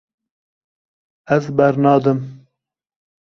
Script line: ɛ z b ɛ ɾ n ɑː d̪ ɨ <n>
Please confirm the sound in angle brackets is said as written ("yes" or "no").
no